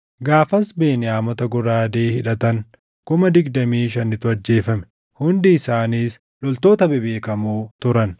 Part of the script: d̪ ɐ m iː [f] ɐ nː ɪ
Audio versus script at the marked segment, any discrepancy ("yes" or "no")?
yes